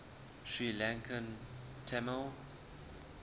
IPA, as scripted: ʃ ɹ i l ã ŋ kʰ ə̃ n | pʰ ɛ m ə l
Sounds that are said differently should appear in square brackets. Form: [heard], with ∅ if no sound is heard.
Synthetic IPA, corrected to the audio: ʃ ɹ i l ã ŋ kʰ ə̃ n | [tʰ] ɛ m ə l